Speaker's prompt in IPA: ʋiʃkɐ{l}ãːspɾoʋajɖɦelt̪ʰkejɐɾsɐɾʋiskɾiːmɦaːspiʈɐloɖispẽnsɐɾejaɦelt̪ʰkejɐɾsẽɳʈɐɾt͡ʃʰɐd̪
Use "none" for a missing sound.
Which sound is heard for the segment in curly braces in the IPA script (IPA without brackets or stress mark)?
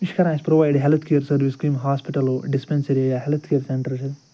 ɾ